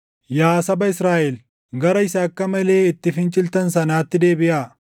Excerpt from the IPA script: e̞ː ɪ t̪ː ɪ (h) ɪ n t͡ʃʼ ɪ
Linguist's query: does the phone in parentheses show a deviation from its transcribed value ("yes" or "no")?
yes